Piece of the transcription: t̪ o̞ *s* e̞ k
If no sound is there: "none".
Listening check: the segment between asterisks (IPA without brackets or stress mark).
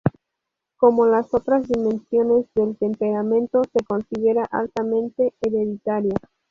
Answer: s